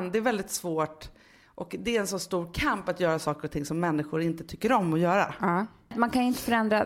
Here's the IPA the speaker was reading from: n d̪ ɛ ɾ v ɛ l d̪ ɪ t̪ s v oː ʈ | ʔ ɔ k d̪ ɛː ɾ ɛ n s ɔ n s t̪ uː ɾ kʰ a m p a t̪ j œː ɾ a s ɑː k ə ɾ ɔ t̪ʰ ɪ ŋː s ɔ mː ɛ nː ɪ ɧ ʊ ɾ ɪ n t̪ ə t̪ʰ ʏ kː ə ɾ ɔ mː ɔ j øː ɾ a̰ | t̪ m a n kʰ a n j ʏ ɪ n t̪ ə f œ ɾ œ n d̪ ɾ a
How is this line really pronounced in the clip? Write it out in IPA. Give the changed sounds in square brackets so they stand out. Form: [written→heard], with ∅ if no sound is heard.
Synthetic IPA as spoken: n d̪ ɛ ɾ v ɛ l d̪ ɪ t̪ s v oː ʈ | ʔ ɔ k d̪ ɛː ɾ ɛ n s ɔ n s t̪ uː ɾ kʰ a m p a t̪ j œː ɾ a s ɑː k ə ɾ ɔ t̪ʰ ɪ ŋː s ɔ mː ɛ nː ɪ ɧ ʊ ɾ ɪ n t̪ ə t̪ʰ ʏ kː ə ɾ ɔ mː ɔ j [øː→œː] ɾ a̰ | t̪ m a n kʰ a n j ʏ ɪ n t̪ ə f œ ɾ [œ→ɛ] n d̪ ɾ a